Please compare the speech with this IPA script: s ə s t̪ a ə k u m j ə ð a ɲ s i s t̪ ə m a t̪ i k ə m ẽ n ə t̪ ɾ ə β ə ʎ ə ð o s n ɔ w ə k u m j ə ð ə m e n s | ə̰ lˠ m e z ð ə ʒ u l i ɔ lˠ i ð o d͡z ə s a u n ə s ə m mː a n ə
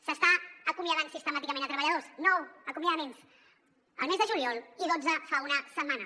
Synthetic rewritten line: s ə s t̪ a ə k u m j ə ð a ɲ s i s t̪ ə m a t̪ i k ə m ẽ n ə t̪ ɾ ə β ə ʎ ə ð o s n ɔ w ə k u m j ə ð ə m e n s | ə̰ lˠ m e z ð ə ʒ u l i ɔ lˠ i ð o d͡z ə f a u n ə s ə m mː a n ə